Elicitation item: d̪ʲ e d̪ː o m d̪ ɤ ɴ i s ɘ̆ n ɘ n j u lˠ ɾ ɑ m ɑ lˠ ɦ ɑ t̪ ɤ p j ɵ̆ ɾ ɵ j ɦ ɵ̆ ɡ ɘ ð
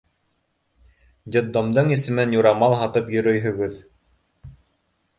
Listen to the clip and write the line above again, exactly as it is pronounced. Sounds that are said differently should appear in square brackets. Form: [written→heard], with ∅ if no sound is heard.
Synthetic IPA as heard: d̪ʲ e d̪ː o m d̪ ɤ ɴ i s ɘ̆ [n→m] ɘ n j u [lˠ→∅] ɾ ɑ m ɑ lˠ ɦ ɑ t̪ ɤ p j ɵ̆ ɾ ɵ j ɦ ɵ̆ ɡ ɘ ð